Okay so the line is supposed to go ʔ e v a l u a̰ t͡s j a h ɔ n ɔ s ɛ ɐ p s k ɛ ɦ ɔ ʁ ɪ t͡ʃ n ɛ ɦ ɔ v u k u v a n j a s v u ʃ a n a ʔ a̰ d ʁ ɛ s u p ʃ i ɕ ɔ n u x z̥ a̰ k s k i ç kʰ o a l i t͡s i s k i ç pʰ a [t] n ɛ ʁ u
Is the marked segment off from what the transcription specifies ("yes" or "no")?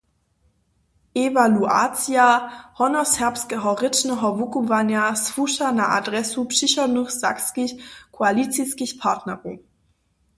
no